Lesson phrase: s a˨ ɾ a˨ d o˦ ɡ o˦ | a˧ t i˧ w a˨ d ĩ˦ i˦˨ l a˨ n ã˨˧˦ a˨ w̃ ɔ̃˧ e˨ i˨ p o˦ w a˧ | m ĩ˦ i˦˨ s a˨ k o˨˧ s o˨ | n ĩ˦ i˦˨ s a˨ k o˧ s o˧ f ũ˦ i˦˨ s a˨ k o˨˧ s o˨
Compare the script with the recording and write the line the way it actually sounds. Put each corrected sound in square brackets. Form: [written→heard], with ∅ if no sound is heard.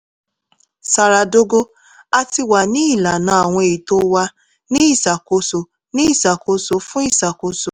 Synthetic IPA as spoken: s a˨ ɾ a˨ d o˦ ɡ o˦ | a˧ t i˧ w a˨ [d→n] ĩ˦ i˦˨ l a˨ n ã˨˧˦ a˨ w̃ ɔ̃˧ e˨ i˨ [p→t] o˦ w a˧ | [m→n] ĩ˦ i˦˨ s a˨ k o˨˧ s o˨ | n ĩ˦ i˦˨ s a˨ k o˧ s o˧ f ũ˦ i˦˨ s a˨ k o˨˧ s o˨

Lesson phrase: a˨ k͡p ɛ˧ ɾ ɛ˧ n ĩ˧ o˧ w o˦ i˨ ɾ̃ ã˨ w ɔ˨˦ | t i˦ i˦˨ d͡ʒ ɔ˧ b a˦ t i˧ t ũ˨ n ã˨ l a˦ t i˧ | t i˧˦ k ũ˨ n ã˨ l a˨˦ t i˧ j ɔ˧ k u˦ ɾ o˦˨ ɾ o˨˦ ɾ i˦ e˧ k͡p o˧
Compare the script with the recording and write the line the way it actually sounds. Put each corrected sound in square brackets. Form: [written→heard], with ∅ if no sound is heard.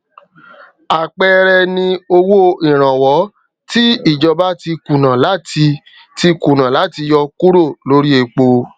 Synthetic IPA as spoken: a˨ k͡p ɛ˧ ɾ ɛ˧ n ĩ˧ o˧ w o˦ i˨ ɾ̃ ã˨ w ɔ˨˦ | t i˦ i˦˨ d͡ʒ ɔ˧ b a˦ t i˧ [t→k] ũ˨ n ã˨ l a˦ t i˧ | t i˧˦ k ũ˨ n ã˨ l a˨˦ t i˧ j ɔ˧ k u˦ ɾ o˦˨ [ɾ→l] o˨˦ ɾ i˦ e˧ k͡p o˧

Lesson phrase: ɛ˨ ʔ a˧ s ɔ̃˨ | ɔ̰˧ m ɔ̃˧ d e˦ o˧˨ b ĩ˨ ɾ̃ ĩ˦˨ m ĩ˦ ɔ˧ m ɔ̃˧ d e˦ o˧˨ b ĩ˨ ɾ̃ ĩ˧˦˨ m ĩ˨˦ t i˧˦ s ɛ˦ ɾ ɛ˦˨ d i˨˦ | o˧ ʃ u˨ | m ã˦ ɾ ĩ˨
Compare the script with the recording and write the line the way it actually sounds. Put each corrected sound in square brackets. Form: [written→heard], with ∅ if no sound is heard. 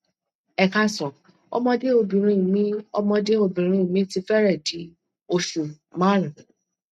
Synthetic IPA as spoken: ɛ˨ [ʔ→k] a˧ s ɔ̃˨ | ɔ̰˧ m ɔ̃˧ d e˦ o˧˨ b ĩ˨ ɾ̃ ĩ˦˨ m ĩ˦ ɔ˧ m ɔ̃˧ d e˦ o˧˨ b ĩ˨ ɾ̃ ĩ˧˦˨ m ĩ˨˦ t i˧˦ [s→f] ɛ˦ ɾ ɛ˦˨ d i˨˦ | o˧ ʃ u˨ | m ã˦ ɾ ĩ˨

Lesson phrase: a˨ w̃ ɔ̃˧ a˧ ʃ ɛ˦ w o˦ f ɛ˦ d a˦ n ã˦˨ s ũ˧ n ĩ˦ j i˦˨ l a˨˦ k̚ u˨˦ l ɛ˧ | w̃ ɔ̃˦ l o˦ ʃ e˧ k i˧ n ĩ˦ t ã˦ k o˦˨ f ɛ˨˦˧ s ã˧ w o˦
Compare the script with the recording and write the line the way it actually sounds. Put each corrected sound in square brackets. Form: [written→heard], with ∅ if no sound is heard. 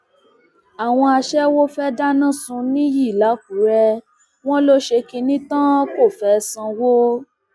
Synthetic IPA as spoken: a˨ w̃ ɔ̃˧ a˧ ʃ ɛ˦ w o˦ f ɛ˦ d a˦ n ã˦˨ s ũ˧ n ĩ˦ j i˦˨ l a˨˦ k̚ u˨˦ [l→ɾ] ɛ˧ | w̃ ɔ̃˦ l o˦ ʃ e˧ k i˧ n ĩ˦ t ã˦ k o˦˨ f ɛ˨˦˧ s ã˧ w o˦

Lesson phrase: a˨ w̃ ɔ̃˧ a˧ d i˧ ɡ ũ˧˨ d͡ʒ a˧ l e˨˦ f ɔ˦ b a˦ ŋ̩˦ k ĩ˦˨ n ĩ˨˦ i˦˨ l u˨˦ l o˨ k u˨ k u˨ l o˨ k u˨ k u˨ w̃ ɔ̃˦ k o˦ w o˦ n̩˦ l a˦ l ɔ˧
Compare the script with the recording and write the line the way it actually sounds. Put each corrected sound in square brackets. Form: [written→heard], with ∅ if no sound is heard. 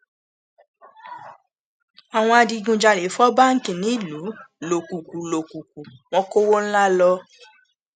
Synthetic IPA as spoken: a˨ w̃ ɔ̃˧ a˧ d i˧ ɡ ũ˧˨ d͡ʒ a˧ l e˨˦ f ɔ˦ b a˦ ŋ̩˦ k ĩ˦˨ n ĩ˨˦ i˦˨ l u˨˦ l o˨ k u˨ k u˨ l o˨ k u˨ k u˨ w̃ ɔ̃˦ k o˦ w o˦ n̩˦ l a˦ l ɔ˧

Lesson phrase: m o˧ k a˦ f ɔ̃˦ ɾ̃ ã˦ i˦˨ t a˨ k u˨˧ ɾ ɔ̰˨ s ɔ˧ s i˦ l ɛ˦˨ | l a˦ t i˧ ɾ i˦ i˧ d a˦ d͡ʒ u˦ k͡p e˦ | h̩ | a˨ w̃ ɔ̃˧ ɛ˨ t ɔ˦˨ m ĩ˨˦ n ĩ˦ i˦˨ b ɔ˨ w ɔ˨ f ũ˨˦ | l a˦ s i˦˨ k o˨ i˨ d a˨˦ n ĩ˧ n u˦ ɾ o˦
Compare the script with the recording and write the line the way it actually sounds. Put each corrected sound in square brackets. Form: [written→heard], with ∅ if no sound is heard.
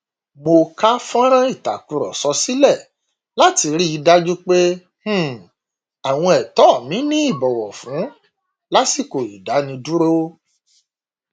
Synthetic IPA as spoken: m o˧ k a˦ f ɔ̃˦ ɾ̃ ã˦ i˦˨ t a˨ k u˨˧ ɾ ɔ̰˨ s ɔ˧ s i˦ l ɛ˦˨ | l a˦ t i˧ ɾ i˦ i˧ d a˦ d͡ʒ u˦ k͡p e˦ | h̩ | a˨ w̃ ɔ̃˧ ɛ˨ t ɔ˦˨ m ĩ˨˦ n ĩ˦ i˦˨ b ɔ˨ w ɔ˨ f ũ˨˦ | l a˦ s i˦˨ k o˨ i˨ d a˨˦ n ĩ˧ [n→d] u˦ ɾ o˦

